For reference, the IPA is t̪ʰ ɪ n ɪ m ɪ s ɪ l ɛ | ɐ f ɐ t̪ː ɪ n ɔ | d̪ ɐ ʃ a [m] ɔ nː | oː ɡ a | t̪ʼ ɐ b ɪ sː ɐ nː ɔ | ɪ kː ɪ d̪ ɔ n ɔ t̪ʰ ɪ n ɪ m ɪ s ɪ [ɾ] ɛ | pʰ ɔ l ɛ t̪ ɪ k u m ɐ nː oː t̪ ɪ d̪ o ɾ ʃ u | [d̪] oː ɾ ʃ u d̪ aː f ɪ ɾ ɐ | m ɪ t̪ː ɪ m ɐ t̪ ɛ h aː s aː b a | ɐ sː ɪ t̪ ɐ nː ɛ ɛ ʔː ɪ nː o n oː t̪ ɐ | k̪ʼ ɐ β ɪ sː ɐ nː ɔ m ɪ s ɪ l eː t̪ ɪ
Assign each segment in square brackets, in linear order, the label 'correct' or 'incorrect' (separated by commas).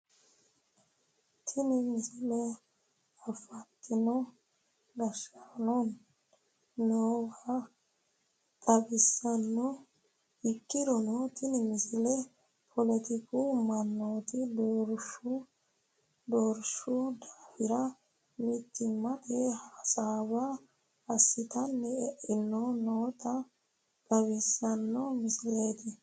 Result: incorrect, incorrect, correct